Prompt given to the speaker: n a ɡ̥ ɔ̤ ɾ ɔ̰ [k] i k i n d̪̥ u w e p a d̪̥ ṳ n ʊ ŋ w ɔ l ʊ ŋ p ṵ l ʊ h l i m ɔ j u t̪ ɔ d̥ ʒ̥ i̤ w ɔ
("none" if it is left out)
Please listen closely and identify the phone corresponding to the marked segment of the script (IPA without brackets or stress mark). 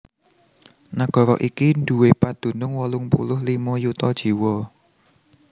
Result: ʔ